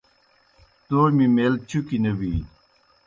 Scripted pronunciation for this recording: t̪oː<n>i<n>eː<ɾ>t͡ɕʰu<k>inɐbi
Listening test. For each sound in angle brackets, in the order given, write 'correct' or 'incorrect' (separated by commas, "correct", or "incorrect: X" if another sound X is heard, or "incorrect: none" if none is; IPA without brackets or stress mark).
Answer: incorrect: m, incorrect: m, incorrect: l, correct